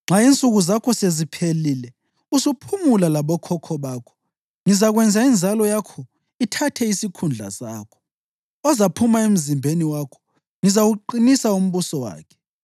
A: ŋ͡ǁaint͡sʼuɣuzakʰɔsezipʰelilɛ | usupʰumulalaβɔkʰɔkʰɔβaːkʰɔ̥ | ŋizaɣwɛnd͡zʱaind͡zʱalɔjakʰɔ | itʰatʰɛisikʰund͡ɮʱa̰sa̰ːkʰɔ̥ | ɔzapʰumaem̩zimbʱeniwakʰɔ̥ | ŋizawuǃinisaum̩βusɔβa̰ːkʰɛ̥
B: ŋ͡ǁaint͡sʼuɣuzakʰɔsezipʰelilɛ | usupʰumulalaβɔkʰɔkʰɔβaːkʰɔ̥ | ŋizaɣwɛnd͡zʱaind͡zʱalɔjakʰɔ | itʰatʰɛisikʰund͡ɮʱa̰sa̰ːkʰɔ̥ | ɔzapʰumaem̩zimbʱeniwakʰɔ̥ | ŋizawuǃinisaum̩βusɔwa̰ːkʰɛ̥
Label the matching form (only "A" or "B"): B